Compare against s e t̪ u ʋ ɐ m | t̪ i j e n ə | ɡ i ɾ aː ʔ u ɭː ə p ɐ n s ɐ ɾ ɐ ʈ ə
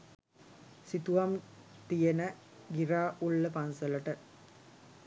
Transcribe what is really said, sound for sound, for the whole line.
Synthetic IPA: s i t̪ u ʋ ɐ m | t̪ i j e n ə | ɡ i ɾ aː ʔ u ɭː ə p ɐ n s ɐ l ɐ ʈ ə